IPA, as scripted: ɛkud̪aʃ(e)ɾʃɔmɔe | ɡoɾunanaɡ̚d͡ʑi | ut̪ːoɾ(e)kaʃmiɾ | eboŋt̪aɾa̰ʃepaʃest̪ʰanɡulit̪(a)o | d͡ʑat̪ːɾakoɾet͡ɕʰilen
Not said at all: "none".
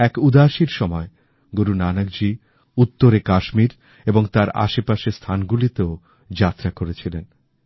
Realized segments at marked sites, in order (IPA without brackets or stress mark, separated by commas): i, e, e